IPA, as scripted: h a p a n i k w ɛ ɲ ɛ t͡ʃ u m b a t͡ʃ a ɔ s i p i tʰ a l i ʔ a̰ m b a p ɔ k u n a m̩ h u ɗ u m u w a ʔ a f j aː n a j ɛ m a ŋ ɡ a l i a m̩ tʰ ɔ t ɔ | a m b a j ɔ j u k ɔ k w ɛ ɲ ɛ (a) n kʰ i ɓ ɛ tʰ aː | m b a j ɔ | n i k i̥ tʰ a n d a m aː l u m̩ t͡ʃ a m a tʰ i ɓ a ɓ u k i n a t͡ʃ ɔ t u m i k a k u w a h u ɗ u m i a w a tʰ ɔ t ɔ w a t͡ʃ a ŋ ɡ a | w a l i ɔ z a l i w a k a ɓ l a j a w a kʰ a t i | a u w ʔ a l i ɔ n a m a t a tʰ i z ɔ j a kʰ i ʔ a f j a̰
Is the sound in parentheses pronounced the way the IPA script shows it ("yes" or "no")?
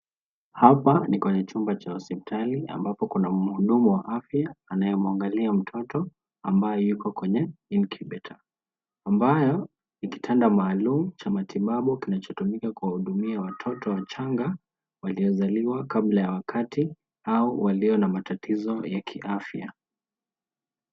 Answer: no